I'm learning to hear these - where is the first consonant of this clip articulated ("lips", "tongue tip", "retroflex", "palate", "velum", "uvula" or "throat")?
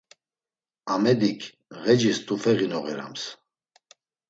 lips